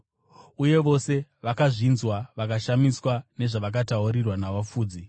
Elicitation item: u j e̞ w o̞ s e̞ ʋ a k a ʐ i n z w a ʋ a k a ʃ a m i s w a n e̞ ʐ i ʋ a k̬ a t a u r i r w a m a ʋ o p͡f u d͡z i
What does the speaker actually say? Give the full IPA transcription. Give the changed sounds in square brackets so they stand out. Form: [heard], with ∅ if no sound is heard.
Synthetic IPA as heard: u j e̞ [ʋ] o̞ s e̞ ʋ a k a ʐ i n z w a ʋ a k a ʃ a m i s w a n e̞ ʐ [a] ʋ a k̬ a t a u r i r w a [n] a ʋ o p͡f [uː] d͡z i